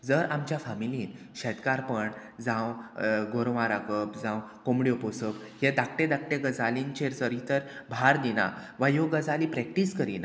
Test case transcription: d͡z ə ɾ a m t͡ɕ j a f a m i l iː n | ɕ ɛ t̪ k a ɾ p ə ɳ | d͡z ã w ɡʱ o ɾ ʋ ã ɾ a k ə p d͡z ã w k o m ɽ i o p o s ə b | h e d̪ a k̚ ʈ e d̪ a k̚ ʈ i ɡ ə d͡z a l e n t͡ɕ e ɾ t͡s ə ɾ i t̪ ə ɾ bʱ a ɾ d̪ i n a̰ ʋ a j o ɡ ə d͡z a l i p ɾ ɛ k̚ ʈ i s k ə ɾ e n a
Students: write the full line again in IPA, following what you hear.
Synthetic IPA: d͡z ə ɾ a m t͡ɕ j a f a m i l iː n | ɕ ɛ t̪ k a ɾ p ə ɳ | d͡z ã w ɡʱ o ɾ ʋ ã ɾ a k ə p d͡z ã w k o m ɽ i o p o s ə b | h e d̪ a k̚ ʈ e d̪ a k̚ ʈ e ɡ ə d͡z a l i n t͡ɕ e ɾ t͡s ə ɾ i t̪ ə ɾ bʱ a ɾ d̪ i n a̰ ʋ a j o ɡ ə d͡z a l i p ɾ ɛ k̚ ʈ i s k ə ɾ i n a